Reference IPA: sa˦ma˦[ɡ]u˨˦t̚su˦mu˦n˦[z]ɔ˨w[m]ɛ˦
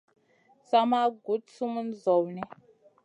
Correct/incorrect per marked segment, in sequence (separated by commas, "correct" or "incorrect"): correct, correct, incorrect